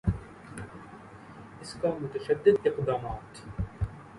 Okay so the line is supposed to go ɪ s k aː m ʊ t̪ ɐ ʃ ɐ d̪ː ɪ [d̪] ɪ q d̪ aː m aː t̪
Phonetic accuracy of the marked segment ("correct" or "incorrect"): correct